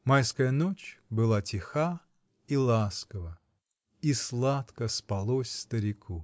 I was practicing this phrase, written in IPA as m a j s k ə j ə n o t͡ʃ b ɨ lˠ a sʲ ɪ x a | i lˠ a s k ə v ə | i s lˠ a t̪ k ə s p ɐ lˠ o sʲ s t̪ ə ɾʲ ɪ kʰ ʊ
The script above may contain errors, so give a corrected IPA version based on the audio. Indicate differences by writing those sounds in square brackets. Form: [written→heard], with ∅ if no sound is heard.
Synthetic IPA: m a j s k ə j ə n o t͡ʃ b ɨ lˠ a [sʲ→tʲ] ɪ x a | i lˠ a s k ə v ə | i s lˠ a t̪ k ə s p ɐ lˠ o sʲ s t̪ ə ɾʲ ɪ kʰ [ʊ→u]